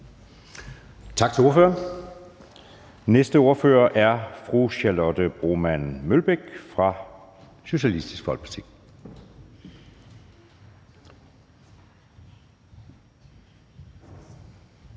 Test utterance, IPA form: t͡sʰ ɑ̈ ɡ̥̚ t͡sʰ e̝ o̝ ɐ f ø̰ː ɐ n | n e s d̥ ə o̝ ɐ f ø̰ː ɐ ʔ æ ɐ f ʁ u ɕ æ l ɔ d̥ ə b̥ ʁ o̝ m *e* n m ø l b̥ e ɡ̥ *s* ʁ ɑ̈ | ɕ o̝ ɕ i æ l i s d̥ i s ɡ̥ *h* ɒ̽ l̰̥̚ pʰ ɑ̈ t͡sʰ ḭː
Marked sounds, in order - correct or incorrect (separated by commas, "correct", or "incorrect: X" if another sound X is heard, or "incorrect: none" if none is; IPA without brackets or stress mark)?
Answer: incorrect: æ, incorrect: f, incorrect: f